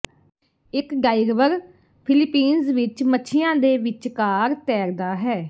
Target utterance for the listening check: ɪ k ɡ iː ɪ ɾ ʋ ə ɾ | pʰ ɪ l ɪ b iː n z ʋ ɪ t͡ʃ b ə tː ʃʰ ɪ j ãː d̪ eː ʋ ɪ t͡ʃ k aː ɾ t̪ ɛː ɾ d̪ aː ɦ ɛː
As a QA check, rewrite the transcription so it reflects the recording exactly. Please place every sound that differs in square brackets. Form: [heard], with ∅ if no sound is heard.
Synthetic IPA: ɪ k ɡ [aː] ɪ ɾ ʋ ə ɾ | pʰ ɪ l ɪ [p] iː n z ʋ ɪ t͡ʃ [m] ə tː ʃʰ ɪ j ãː d̪ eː ʋ ɪ t͡ʃ k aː ɾ t̪ ɛː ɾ d̪ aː ɦ ɛː